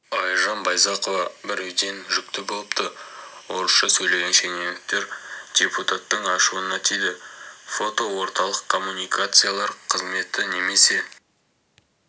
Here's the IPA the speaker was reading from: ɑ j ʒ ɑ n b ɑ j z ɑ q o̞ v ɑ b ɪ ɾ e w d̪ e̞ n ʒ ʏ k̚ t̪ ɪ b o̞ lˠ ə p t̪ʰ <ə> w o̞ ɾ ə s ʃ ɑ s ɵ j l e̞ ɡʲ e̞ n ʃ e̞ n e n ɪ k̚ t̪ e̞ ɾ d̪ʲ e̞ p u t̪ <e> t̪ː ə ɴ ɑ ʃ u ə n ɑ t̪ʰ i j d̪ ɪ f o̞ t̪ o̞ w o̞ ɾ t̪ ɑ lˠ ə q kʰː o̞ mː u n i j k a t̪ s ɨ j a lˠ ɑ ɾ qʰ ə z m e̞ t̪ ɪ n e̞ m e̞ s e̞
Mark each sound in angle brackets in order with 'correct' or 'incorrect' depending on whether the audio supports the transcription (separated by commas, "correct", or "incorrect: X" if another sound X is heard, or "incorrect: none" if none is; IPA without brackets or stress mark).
correct, incorrect: a